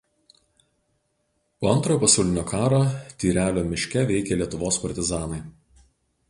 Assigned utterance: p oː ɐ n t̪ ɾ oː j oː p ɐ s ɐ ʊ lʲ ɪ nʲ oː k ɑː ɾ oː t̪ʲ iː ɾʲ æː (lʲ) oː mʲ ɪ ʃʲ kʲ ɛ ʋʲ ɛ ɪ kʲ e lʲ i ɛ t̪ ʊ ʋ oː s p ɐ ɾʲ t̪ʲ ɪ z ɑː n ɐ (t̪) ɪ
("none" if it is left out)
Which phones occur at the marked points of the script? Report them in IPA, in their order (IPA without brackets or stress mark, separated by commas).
lʲ, none